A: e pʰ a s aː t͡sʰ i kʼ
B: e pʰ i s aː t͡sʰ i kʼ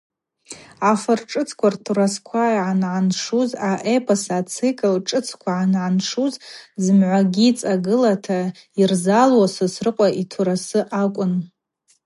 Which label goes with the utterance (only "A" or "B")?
A